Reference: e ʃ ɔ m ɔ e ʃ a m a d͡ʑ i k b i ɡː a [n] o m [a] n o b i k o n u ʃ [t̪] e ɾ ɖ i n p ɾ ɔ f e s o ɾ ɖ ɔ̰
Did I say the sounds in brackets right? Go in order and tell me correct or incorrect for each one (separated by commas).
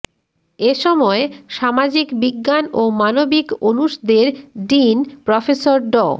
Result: correct, correct, incorrect